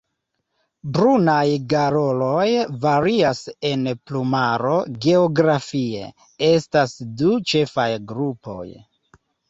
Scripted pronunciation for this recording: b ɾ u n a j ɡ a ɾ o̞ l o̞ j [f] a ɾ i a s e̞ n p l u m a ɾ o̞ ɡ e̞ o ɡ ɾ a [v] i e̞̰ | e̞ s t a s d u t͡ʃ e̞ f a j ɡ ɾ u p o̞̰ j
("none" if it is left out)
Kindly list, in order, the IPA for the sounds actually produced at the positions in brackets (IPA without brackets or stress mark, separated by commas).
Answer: v, f